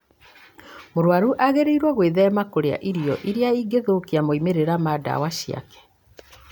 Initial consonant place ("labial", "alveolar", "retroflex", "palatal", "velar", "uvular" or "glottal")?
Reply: labial